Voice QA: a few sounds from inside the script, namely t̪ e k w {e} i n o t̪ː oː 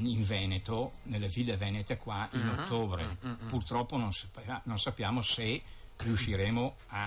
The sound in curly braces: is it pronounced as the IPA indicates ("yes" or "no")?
no